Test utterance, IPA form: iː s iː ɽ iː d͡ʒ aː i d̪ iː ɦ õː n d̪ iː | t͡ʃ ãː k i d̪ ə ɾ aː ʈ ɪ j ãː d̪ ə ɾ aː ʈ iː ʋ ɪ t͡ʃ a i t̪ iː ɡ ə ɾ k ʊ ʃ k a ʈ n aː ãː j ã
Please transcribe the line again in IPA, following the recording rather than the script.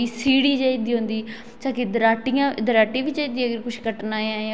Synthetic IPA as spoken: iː s iː ɽ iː d͡ʒ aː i d̪ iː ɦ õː n d̪ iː | t͡ʃ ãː k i d̪ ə ɾ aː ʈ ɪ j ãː d̪ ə ɾ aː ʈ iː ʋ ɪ t͡ʃ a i d̪ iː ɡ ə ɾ k ʊ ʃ k ə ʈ n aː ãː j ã